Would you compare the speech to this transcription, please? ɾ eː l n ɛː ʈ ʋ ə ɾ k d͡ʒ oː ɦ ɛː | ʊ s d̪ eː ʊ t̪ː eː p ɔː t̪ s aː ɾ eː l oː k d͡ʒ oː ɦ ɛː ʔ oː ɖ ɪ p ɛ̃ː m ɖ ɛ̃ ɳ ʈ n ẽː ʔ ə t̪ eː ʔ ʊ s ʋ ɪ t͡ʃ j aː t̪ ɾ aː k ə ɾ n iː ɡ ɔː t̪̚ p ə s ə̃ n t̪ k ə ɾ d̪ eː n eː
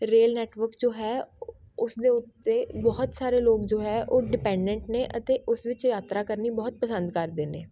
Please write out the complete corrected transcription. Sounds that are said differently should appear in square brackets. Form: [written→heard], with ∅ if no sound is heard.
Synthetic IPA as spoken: ɾ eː l n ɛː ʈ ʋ ə ɾ k d͡ʒ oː ɦ ɛː | ʊ s d̪ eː ʊ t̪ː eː [p→b] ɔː t̪ s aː ɾ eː l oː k d͡ʒ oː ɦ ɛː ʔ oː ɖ ɪ p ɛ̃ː [m→ɳ] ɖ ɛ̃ ɳ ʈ n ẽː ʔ ə t̪ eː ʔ ʊ s ʋ ɪ t͡ʃ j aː t̪ ɾ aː k ə ɾ n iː [ɡ→b] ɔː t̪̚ p ə s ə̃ n [t̪→d̪] k ə ɾ d̪ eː n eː